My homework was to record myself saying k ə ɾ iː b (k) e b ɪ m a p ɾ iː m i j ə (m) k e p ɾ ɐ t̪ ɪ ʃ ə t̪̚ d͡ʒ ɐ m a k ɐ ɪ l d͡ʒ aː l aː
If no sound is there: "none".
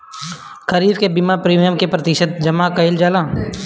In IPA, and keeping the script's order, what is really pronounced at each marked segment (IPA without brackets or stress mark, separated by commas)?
k, m